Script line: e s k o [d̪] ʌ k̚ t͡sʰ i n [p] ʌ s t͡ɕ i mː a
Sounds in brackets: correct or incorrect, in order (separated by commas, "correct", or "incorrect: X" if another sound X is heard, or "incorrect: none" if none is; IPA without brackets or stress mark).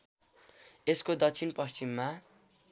correct, correct